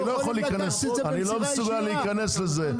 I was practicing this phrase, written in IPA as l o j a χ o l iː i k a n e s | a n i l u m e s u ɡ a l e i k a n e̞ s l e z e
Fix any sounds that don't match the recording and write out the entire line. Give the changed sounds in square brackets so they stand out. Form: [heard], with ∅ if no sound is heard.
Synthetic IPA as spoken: l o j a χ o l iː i k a n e s | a n i l [o] m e s u ɡ a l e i k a n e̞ s l e z e